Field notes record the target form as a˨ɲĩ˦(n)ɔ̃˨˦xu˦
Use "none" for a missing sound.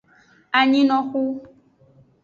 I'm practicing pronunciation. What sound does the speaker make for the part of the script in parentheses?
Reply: n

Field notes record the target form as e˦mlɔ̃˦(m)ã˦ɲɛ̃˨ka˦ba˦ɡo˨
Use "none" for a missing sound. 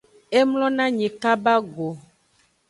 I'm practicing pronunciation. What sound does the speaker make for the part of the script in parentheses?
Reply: n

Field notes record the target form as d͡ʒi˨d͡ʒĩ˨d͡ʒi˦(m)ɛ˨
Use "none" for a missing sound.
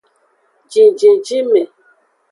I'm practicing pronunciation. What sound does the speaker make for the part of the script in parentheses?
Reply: m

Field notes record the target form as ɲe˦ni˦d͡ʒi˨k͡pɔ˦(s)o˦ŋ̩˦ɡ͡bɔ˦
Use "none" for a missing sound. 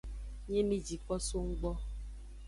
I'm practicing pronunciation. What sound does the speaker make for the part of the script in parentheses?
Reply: s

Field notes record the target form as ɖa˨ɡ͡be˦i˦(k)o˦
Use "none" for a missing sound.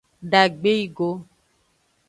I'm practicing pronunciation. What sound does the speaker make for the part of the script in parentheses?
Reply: ɡ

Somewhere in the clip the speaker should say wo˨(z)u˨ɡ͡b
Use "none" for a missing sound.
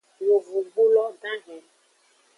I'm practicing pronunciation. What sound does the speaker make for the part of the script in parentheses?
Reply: v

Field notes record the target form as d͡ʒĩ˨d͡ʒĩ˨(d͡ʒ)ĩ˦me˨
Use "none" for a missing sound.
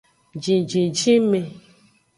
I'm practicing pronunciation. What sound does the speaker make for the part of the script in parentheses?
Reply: d͡ʒ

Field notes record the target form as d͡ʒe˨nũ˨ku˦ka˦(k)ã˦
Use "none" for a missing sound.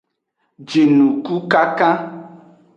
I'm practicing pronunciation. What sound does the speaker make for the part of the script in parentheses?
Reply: k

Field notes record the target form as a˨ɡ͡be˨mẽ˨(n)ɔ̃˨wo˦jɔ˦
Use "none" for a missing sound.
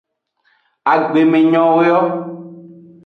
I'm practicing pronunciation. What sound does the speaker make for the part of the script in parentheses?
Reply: ɲ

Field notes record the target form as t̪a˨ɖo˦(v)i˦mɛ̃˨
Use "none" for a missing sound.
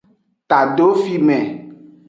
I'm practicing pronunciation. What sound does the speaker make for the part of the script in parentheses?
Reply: f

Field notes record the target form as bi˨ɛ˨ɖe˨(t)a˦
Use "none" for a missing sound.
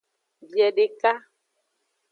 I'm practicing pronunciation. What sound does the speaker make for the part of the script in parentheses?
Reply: k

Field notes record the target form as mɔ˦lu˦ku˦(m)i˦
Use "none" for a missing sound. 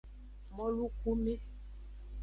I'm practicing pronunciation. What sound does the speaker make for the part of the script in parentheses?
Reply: m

